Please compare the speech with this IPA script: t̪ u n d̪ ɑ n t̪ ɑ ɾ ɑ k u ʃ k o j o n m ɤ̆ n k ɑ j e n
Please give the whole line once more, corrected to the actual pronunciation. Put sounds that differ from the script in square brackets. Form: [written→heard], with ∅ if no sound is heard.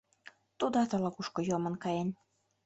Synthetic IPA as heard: t̪ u [n→∅] d̪ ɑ [n→∅] t̪ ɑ [ɾ→l] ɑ k u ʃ k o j o [n→∅] m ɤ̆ n k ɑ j e n